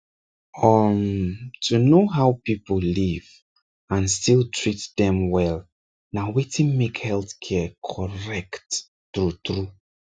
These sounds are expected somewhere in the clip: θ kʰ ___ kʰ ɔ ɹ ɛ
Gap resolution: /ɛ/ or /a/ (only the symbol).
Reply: ɛ